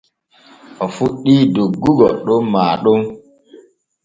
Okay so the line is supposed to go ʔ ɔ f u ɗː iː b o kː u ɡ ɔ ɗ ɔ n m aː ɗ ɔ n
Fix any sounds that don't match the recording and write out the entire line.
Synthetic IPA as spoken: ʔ ɔ f u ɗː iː d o ɡː u ɡ ɔ ɗ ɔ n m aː ɗ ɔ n